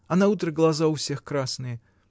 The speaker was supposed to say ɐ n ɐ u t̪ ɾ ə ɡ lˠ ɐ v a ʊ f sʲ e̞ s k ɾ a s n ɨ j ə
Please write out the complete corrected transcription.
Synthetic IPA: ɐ n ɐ u t̪ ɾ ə ɡ lˠ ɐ z a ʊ f sʲ e̞ x k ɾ a s n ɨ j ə